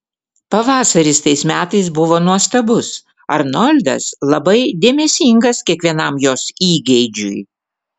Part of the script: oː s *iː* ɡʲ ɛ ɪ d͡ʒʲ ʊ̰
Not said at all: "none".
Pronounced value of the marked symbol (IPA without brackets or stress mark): iː